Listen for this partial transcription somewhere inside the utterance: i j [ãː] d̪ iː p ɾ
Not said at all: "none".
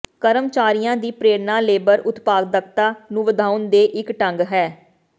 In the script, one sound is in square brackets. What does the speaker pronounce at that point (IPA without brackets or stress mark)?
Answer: ãː